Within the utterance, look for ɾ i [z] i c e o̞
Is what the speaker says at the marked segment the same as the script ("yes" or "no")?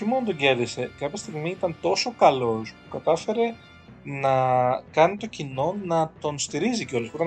yes